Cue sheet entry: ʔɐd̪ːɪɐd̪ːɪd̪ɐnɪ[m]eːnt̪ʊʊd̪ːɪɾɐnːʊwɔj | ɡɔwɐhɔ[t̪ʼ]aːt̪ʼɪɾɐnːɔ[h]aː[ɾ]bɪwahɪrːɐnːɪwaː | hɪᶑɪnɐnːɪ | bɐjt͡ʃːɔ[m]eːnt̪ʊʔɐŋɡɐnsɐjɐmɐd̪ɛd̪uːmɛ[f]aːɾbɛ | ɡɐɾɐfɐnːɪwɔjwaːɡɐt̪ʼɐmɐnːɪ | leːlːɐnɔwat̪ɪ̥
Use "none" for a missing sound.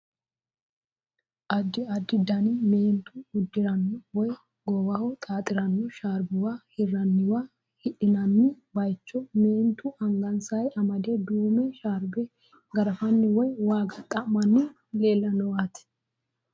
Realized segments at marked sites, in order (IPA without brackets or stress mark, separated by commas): m, t̪ʼ, ʃ, ɾ, m, ʃ